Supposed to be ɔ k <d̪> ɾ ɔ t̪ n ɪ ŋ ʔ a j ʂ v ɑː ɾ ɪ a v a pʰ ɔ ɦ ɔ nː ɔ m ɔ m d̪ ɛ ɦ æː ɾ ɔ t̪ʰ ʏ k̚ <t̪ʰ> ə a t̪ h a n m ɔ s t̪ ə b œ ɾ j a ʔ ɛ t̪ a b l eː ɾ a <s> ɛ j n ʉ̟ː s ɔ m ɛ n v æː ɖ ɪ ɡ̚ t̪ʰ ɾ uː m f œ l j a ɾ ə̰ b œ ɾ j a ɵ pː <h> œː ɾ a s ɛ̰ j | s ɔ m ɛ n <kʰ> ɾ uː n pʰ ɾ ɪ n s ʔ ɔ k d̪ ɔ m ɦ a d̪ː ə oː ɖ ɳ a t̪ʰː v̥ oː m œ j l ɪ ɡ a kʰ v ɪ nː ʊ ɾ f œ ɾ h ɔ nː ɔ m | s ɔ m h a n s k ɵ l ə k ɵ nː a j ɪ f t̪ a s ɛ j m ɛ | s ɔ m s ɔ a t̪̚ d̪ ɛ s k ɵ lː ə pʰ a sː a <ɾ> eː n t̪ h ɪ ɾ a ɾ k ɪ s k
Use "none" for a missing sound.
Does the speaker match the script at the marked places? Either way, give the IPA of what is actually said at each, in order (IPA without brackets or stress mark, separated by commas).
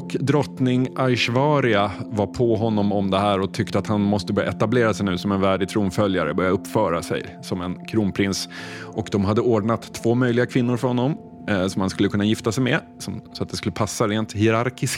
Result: d̪, t̪, s, f, kʰ, ɾ